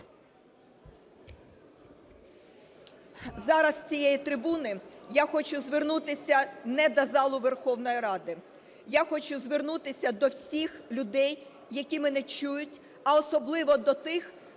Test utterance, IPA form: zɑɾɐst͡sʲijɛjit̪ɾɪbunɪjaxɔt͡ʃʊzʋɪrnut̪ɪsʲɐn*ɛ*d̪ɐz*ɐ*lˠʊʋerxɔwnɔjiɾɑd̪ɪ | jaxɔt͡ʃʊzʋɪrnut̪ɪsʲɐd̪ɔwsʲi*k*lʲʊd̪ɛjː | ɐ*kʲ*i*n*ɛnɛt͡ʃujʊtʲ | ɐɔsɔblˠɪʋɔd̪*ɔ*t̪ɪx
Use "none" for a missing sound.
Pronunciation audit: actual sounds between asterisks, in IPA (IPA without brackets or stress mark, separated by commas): ɛ, ɑ, x, kʲ, m, ɔ